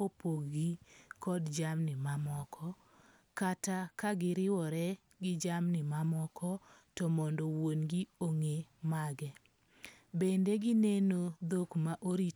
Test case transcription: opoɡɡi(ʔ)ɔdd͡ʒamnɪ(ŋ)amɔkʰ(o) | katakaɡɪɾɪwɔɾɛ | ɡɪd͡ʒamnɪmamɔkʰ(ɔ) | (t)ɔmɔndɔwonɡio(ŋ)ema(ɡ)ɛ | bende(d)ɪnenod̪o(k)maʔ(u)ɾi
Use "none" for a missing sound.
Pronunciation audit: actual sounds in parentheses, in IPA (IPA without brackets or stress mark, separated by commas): k, m, ɔ, ɔ, t, ŋ, ɡ, ɡ, k, o